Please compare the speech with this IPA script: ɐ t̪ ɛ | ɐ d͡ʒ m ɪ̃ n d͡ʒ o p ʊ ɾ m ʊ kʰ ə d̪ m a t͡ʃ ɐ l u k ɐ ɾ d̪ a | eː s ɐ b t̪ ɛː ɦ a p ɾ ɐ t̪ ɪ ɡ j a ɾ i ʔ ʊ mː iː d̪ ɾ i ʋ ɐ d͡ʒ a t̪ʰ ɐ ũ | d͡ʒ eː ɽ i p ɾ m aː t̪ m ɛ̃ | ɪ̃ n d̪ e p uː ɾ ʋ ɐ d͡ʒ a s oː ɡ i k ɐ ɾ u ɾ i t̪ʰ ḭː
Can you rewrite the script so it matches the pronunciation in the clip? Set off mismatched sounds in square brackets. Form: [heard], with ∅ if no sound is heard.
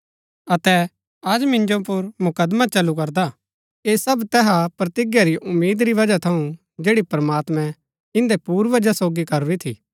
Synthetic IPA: ɐ t̪ ɛ | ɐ d͡ʒ m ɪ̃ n d͡ʒ o p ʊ ɾ m ʊ [k] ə d̪ m a t͡ʃ ɐ l u k ɐ ɾ d̪ a | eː s ɐ b t̪ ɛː ɦ a p ɾ ɐ t̪ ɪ ɡ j a ɾ i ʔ ʊ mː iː d̪ ɾ i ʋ ɐ d͡ʒ a t̪ʰ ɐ ũ | d͡ʒ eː ɽ i p ɾ m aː t̪ m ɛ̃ | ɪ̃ n d̪ e p uː ɾ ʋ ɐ d͡ʒ a s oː ɡ i k ɐ ɾ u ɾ i t̪ʰ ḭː